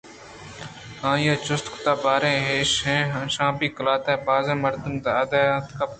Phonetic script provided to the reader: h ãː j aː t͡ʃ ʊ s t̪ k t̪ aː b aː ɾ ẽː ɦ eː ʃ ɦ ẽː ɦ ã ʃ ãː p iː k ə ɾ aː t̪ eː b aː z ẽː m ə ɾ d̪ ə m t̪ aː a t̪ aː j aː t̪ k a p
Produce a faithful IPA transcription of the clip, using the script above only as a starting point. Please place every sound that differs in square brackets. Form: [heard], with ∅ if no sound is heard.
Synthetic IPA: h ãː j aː t͡ʃ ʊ s t̪ k t̪ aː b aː ɾ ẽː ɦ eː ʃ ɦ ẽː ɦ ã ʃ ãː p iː k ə [l] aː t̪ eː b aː z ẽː m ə ɾ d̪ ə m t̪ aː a [d̪] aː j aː t̪ k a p

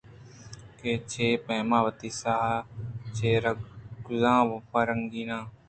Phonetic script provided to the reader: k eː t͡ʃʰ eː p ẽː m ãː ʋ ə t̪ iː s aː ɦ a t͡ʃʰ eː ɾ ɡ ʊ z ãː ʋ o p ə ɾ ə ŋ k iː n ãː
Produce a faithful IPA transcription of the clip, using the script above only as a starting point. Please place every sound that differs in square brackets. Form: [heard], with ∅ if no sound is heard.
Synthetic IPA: k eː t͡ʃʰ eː p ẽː m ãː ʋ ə t̪ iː s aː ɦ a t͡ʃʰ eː ɾ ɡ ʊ z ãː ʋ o p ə ɾ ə ŋ [ɡ] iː n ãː

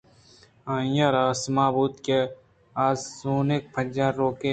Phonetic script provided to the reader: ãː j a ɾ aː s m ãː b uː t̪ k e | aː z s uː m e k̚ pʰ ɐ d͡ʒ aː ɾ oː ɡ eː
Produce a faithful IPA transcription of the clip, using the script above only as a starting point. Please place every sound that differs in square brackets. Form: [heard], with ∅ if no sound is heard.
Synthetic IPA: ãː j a ɾ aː s m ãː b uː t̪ k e | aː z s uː [n] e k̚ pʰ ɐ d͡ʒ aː ɾ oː [k] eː

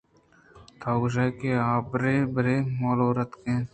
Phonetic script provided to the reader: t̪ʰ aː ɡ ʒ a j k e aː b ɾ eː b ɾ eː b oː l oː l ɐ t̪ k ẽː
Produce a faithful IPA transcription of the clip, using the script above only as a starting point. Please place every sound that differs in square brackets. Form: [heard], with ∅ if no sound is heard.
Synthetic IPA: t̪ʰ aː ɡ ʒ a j k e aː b ɾ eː b ɾ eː [m] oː l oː [ɾ] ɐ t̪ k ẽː

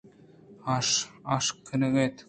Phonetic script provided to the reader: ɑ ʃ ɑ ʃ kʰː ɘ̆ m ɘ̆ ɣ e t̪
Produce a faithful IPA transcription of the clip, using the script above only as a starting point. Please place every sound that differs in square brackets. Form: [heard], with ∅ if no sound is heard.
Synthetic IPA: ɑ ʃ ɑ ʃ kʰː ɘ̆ [n] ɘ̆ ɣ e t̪

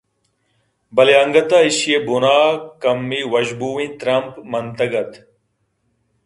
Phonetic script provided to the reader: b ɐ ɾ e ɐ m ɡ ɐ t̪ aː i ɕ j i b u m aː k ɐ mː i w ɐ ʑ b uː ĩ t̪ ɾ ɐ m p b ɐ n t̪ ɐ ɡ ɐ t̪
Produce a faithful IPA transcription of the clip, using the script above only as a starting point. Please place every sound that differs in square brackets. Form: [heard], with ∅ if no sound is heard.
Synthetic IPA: b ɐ [l] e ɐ [ŋ] ɡ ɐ t̪ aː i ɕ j [e] b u [n] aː k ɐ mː i w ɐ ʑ b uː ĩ t̪ ɾ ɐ m p [m] ɐ n t̪ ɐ ɡ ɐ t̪

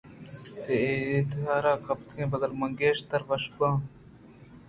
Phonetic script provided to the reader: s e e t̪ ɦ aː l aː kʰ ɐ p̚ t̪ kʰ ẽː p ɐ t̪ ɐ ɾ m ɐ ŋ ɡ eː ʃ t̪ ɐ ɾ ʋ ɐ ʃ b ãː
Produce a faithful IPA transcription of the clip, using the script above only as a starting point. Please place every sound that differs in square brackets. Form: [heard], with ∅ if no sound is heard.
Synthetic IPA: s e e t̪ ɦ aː [ɾ] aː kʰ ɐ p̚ t̪ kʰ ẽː [b] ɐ [d̪] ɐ [l] m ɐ ŋ ɡ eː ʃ t̪ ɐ ɾ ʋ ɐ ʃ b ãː

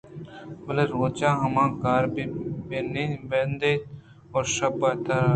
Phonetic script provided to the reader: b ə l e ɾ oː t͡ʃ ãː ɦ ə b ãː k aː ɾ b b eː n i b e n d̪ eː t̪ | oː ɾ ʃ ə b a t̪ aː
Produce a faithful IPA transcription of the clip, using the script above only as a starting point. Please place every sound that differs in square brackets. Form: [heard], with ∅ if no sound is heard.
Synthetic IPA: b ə l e ɾ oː t͡ʃ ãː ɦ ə [m] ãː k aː ɾ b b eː n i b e n d̪ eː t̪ | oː ɾ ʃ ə b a t̪ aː

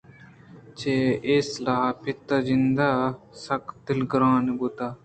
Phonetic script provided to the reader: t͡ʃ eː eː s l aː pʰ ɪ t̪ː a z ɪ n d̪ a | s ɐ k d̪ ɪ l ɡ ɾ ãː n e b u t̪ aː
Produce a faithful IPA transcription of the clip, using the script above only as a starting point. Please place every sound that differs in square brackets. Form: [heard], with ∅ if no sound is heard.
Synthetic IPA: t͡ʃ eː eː s l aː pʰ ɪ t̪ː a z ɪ n d̪ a | s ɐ k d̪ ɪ l ɡ ɾ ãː n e b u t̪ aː

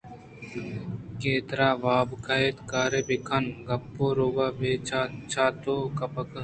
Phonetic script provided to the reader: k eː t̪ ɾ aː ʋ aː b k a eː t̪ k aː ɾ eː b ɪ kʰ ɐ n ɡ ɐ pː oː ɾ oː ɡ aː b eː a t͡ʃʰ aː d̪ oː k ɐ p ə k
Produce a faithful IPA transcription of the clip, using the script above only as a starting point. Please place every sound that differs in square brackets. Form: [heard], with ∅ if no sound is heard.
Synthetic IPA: k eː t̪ ɾ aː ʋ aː b k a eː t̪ k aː ɾ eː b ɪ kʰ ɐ n ɡ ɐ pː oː ɾ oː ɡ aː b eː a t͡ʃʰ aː [t̪] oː k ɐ p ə k

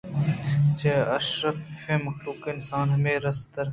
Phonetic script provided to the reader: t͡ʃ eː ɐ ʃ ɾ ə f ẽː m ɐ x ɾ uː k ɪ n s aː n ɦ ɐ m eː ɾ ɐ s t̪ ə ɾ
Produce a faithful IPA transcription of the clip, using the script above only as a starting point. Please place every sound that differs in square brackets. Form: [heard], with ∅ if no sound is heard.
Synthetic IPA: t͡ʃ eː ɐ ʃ ɾ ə f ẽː m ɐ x [l] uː k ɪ n s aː n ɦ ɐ m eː ɾ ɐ s t̪ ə ɾ

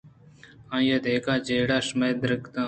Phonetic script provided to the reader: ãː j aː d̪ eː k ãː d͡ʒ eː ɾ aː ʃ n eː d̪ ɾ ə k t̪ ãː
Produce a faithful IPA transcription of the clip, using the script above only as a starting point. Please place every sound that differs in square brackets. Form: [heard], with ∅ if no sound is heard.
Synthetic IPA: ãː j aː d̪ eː k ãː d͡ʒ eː [ɽ] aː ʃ [m] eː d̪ ɾ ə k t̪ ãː

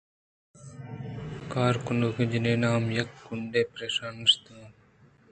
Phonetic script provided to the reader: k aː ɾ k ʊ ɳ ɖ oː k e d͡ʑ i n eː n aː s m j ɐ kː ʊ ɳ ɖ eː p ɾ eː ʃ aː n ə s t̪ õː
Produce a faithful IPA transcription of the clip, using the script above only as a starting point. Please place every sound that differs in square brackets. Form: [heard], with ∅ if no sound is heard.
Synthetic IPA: k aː ɾ k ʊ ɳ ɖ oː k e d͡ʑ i n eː n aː [∅] m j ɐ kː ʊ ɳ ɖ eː p ɾ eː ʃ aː n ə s t̪ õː

